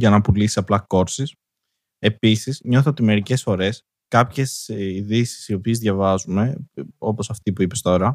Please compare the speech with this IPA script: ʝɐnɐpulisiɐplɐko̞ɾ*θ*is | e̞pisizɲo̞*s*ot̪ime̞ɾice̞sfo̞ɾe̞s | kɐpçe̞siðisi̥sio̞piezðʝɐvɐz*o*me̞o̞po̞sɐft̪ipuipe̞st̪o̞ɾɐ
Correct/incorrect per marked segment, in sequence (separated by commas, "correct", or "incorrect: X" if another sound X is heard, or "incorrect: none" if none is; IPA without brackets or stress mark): incorrect: s, incorrect: θ, incorrect: u